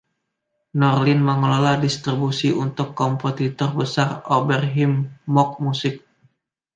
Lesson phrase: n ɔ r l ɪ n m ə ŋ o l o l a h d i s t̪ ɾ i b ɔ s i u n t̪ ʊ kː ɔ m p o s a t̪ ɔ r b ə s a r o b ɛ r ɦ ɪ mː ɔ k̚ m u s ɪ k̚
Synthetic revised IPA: n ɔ r l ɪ n m ə ŋ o l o l a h d i s t̪ ɾ i b u s i u n t̪ ʊ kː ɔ m p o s i t̪ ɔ r b ə s a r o b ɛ r ɦ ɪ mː ɔ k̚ m u s ɪ k̚